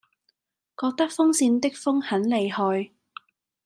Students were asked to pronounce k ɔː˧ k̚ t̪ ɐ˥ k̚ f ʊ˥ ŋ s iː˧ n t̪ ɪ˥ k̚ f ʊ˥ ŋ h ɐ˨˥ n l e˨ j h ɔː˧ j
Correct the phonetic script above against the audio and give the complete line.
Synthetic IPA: k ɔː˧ k̚ t̪ ɐ˥ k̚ f ʊ˥ ŋ s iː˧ n t̪ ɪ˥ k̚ f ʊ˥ ŋ h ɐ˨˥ n l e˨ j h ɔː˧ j